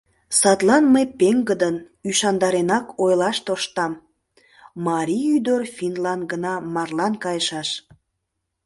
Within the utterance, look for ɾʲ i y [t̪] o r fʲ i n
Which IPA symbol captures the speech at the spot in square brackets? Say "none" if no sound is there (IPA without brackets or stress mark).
d̪